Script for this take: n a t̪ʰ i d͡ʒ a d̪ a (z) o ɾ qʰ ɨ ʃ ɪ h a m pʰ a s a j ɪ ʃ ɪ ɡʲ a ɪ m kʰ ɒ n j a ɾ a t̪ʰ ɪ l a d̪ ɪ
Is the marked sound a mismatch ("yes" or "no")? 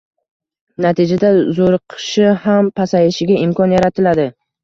no